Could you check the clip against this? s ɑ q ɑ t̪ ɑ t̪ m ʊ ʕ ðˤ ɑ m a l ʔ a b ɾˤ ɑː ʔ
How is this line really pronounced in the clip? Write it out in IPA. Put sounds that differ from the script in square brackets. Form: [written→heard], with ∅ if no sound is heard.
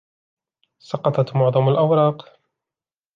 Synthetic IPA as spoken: s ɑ q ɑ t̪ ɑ t̪ m ʊ ʕ ðˤ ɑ m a l ʔ a [b→w] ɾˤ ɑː [ʔ→q]